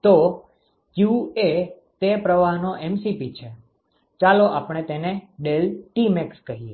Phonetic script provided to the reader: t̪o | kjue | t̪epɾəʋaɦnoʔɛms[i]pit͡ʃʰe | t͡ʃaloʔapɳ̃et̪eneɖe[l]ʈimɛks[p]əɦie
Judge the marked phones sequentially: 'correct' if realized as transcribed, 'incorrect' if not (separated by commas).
correct, correct, incorrect